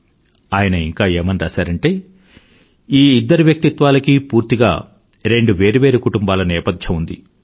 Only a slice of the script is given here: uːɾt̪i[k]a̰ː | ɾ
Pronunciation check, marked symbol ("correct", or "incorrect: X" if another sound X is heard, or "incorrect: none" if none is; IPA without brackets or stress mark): incorrect: ɡ